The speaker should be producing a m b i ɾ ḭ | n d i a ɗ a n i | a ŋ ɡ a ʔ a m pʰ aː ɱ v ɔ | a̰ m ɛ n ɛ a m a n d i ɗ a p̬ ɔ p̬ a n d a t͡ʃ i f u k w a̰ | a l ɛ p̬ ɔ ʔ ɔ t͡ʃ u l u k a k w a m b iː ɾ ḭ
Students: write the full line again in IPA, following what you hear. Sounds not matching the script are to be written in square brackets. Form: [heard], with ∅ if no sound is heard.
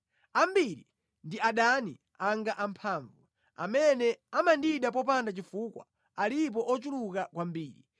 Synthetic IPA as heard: a m b i ɾ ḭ | n d i a ɗ a n i | a ŋ ɡ a ʔ a m pʰ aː ɱ v [u] | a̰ m ɛ n ɛ a m a n d i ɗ a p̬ ɔ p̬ a n d a t͡ʃ i f u k w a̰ | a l [i] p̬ ɔ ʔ ɔ t͡ʃ u l u k a k w a m b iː ɾ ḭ